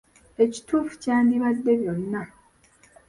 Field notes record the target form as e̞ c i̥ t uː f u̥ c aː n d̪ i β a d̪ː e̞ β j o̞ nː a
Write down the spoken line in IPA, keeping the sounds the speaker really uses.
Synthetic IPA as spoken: e̞ c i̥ t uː f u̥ c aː n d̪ i β a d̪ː e̞ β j o̞ nː a